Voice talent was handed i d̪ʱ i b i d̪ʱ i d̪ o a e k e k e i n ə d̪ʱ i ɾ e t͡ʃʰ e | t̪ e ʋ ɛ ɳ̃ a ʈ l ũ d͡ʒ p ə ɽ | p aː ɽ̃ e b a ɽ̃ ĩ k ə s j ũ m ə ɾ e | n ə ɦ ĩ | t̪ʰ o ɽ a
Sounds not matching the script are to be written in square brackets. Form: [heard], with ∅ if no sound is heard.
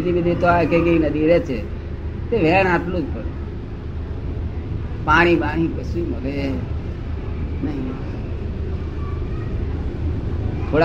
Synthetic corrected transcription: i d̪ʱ i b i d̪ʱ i [t̪] o a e k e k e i n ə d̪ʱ i ɾ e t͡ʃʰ e | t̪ e ʋ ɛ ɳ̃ a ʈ l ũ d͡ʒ p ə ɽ | p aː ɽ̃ [i] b a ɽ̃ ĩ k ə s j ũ m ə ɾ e | n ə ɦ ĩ | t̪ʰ o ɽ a